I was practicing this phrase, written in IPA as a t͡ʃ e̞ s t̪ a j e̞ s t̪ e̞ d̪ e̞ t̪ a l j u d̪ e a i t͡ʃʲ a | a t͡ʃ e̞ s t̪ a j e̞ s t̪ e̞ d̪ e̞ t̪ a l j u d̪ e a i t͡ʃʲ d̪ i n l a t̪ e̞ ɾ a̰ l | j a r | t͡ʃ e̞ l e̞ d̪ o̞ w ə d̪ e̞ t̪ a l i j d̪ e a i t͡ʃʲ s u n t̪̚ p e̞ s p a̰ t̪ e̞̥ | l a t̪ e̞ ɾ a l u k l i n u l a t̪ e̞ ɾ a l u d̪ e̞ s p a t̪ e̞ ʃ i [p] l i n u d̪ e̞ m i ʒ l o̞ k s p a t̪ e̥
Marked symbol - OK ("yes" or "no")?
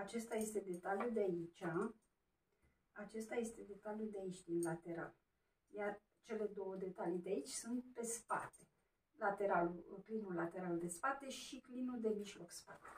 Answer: no